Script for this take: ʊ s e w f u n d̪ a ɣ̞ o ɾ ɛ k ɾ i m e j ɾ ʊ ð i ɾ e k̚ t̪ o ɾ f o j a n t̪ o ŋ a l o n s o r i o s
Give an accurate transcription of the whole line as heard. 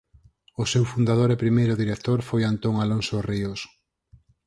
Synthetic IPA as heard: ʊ s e w f u n d̪ a ð̞ o ɾ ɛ p ɾ i m e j ɾ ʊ ð i ɾ e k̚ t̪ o ɾ f o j a n t̪ o ŋ a l o n s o r i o s